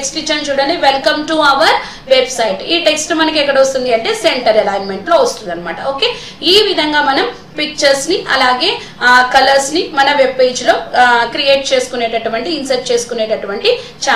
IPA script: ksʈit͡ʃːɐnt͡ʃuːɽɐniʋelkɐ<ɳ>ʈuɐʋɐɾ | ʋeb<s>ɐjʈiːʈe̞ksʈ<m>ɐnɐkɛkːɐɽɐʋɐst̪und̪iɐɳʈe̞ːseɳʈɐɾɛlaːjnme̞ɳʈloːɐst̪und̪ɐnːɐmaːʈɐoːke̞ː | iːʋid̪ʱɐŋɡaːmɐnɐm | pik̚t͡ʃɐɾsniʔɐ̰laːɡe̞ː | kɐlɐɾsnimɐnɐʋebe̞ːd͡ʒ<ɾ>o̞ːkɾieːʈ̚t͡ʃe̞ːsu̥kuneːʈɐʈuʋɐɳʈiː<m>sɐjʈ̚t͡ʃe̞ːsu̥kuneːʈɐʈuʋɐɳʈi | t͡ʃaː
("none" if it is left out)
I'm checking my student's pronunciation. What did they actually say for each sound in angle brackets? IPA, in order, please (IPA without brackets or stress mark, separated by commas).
m, s, m, l, n